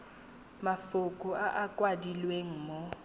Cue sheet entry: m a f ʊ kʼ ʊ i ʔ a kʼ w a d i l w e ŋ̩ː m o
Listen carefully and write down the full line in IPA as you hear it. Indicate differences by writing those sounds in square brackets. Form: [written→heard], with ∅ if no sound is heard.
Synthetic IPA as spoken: m a f ʊ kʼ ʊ [i→a] ʔ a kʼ w a d i l w e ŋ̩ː m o